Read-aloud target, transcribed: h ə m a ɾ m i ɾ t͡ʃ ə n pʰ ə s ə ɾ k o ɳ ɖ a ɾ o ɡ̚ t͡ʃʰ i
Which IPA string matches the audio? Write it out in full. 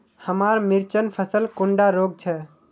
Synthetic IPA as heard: h ə m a ɾ m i ɾ t͡ʃ ə n pʰ ə s ə l k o ɳ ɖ a ɾ o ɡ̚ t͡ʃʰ ɛ